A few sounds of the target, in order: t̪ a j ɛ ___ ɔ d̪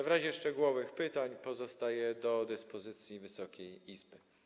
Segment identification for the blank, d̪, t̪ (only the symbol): d̪